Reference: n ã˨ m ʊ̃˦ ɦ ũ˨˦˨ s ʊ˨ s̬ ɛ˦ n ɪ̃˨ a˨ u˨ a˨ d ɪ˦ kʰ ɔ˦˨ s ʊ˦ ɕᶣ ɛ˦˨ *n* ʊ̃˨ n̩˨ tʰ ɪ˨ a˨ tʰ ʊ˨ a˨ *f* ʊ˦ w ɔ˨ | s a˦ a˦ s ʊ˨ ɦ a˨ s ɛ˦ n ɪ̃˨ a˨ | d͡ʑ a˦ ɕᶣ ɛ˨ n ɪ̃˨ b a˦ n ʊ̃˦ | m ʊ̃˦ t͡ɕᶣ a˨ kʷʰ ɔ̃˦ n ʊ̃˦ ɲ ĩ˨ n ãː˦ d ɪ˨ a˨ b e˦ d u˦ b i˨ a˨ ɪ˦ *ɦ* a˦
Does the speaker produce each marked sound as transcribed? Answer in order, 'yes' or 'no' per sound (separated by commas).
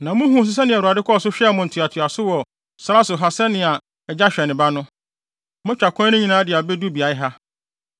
no, no, yes